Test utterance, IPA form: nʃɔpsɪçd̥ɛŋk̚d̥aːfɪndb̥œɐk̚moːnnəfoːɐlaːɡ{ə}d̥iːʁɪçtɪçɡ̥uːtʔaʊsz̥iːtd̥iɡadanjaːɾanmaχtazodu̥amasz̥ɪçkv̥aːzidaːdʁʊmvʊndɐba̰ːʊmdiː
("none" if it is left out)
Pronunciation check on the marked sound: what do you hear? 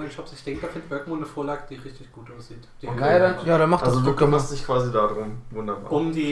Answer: ə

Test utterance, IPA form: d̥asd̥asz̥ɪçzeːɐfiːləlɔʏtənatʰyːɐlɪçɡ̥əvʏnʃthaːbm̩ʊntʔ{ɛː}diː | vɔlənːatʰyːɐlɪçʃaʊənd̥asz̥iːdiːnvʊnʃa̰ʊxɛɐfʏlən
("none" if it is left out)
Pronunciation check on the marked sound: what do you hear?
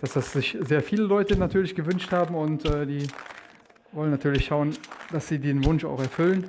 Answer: ɛː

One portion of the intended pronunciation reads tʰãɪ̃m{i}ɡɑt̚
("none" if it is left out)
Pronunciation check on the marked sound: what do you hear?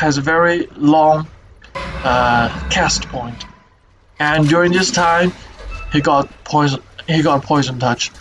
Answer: i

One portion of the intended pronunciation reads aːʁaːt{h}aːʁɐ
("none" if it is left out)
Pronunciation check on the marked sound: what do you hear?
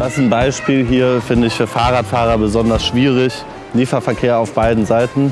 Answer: f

